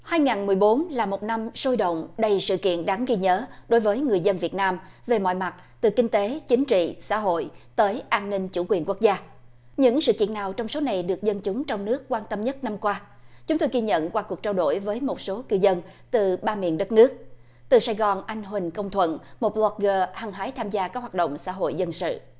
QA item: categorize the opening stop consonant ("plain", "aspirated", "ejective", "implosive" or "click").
implosive